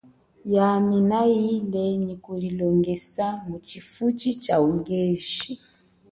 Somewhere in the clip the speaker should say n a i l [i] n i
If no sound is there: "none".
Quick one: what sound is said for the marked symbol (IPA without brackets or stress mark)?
ɛ